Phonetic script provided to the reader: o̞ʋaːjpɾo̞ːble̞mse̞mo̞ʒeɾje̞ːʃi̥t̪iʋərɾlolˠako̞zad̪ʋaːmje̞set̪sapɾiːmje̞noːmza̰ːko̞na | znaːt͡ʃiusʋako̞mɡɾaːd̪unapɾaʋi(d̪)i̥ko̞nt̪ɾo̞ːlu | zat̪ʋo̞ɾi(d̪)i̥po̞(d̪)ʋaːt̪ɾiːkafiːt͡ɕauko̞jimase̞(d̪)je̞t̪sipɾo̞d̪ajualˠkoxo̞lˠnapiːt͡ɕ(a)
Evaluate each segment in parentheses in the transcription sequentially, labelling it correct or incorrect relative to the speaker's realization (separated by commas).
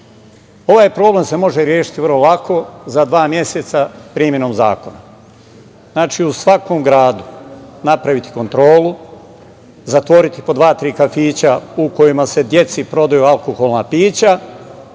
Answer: incorrect, incorrect, correct, correct, correct